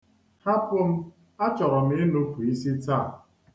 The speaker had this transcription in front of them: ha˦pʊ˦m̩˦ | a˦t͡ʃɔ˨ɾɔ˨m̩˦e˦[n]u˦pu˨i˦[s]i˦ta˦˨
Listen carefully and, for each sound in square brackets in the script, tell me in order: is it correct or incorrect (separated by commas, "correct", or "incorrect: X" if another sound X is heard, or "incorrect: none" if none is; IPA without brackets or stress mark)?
correct, correct